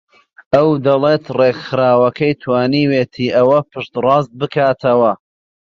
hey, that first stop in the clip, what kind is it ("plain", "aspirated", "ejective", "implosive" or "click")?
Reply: plain